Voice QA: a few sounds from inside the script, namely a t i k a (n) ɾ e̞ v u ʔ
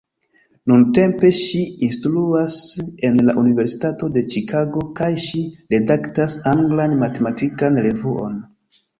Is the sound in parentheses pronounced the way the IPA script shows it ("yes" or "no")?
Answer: yes